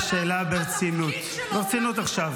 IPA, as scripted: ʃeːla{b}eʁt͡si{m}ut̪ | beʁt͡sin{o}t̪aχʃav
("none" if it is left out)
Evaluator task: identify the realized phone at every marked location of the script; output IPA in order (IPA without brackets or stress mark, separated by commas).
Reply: b, n, u